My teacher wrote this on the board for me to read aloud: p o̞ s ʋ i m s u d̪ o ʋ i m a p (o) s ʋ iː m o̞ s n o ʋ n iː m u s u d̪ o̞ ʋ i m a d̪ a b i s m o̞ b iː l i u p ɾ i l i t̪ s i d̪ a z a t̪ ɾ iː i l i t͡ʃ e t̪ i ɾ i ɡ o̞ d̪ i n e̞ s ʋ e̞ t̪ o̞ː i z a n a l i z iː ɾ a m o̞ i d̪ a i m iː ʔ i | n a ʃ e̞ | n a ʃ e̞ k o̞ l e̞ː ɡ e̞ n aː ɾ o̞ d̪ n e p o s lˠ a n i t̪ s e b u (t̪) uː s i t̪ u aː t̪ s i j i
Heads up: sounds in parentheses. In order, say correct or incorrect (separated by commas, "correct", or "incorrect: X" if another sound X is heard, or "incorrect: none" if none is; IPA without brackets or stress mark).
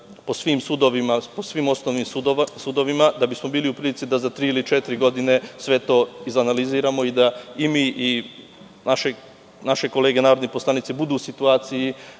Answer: correct, incorrect: d̪